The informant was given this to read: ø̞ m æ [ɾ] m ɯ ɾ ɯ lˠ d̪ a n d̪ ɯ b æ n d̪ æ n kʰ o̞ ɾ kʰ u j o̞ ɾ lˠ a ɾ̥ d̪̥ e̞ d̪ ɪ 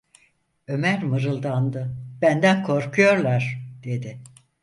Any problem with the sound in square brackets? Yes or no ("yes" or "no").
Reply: no